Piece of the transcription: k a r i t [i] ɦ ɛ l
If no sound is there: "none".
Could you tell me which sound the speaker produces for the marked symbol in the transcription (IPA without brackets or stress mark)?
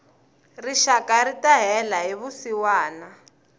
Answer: a